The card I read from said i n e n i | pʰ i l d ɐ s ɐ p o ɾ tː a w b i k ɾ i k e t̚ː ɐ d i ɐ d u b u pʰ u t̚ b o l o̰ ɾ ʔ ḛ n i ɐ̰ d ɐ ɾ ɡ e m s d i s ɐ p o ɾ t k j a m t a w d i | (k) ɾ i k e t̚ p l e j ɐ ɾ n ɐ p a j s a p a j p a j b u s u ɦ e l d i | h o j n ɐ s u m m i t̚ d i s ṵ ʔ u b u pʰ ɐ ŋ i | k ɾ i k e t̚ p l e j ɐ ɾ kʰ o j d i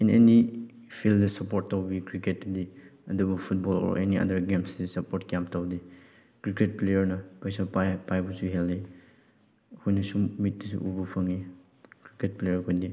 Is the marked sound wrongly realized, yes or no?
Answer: no